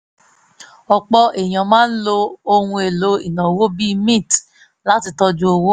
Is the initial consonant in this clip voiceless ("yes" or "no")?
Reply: yes